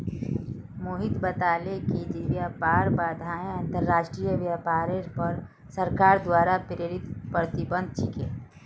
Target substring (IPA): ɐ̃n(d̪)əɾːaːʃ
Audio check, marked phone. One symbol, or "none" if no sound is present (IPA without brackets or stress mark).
t̪